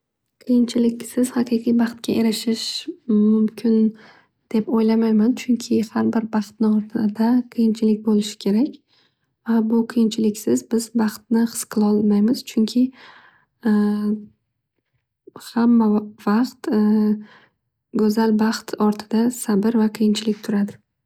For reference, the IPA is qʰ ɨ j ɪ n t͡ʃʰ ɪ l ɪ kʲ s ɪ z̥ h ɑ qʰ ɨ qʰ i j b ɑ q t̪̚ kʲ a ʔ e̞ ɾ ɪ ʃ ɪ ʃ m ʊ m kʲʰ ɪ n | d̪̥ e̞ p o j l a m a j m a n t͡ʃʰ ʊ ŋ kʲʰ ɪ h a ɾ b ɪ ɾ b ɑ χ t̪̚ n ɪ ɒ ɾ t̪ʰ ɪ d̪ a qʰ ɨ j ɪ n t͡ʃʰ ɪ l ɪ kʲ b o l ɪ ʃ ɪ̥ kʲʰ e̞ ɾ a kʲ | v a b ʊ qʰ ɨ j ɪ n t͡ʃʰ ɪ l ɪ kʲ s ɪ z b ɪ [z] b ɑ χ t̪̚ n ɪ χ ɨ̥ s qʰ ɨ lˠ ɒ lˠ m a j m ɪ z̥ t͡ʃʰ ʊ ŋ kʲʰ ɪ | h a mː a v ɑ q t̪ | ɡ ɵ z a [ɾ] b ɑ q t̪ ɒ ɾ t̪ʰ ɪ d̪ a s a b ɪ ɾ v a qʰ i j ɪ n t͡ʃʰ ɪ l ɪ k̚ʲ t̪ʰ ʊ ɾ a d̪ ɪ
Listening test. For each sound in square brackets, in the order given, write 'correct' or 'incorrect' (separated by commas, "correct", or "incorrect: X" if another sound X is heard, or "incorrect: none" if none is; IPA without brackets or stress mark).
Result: correct, incorrect: l